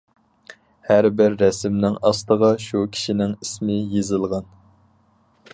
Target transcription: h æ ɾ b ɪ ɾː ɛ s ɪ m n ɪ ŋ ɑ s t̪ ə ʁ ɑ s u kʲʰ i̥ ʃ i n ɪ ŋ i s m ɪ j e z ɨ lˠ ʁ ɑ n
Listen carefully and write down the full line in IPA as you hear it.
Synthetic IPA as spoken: h æ ɾ b ɪ ɾː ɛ s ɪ m n ɪ ŋ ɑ s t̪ ə ʁ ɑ ʃ u kʲʰ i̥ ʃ i n ɪ ŋ i s m ɪ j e z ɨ lˠ ʁ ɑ n